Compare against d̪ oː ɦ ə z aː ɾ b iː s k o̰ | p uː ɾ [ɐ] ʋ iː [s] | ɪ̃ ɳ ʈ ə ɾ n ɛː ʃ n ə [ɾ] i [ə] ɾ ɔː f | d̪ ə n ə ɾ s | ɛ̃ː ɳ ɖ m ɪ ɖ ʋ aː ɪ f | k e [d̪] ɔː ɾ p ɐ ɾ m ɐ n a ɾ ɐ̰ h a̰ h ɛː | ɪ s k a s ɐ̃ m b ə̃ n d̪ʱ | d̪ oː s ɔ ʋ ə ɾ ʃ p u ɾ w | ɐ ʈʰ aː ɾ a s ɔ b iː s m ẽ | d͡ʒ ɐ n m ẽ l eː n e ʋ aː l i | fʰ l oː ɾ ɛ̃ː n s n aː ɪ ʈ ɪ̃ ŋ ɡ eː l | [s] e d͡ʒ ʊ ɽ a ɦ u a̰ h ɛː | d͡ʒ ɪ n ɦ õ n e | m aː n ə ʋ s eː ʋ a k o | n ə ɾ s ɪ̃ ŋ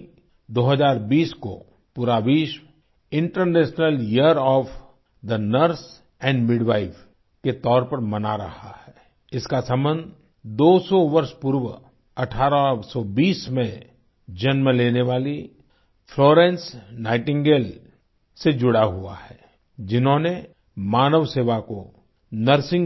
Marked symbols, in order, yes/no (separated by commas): no, no, no, yes, no, yes